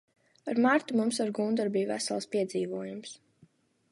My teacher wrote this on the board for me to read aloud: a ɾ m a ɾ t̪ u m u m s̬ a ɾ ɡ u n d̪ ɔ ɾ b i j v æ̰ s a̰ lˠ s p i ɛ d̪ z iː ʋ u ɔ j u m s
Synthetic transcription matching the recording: a ɾ m a ɾ t̪ u m u m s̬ a ɾ ɡ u n d̪ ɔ ɾ b i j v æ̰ s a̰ lˠ s p i ɛ d̪ z iː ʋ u ɔ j u m s